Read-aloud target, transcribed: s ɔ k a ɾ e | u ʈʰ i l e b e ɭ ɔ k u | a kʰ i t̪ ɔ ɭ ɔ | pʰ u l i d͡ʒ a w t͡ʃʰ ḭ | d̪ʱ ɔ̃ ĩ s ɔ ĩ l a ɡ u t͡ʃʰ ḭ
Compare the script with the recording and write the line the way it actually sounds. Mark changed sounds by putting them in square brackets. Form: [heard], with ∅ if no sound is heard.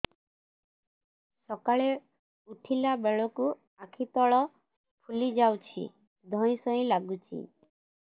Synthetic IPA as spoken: s ɔ k a [ɭ] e | u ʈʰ i l [a] b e ɭ ɔ k u | a kʰ i t̪ ɔ ɭ ɔ | pʰ u l i d͡ʒ a w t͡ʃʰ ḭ | d̪ʱ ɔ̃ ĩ s ɔ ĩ l a ɡ u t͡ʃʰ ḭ

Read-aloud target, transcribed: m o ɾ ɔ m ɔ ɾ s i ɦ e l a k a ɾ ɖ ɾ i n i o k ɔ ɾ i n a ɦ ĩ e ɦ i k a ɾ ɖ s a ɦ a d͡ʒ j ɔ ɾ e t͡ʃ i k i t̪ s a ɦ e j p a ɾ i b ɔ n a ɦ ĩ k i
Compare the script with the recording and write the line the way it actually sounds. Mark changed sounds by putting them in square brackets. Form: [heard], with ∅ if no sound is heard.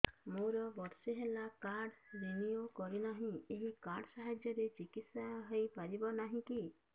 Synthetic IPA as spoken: m o ɾ ɔ [b] ɔ ɾ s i ɦ e l a k a ɾ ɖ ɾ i n i o k ɔ ɾ i n a ɦ ĩ e ɦ i k a ɾ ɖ s a ɦ a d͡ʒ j ɔ ɾ e t͡ʃ i k i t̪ s a ɦ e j p a ɾ i b ɔ n a ɦ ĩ k i

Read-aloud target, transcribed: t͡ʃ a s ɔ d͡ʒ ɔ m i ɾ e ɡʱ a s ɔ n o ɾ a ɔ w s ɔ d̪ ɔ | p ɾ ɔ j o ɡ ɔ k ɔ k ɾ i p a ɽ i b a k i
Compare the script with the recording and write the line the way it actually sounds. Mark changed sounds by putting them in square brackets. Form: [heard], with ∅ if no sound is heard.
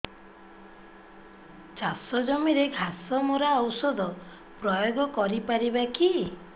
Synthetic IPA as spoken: t͡ʃ a s ɔ d͡ʒ ɔ m i ɾ e ɡʱ a s ɔ [m] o ɾ a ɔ w s ɔ d̪ ɔ | p ɾ ɔ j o ɡ ɔ k ɔ [∅] ɾ i p a [ɾ] i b a k i

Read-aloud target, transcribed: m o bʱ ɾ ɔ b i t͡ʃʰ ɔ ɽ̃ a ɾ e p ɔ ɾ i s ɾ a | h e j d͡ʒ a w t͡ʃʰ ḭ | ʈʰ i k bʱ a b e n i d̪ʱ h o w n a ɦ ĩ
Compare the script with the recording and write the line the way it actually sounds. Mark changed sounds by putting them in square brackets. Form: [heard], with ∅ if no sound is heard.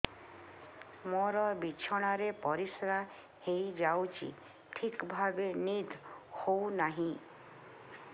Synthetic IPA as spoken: m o [∅] ɾ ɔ b i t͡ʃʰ ɔ ɽ̃ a ɾ e p ɔ ɾ i s ɾ a | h e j d͡ʒ a w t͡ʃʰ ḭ | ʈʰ i k bʱ a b e n i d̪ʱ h o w n a ɦ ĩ

